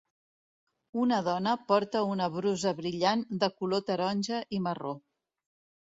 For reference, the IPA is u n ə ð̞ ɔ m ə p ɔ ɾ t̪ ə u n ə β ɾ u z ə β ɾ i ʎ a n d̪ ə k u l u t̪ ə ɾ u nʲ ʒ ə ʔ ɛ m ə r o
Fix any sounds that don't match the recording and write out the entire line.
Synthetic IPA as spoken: u n ə ð̞ ɔ n ə p ɔ ɾ t̪ ə u n ə β ɾ u z ə β ɾ i ʎ a n d̪ ə k u l o t̪ ə ɾ ɔ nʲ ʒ ə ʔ i m ə r o